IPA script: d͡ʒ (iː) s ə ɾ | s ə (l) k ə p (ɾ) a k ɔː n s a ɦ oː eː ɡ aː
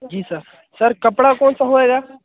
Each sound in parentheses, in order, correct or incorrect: correct, incorrect: ɾ, incorrect: ɽ

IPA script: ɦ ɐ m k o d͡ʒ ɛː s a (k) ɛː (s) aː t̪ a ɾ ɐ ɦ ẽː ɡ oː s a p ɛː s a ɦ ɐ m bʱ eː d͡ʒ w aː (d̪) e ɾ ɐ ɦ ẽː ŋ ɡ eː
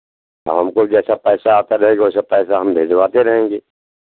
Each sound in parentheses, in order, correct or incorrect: incorrect: p, correct, incorrect: t̪

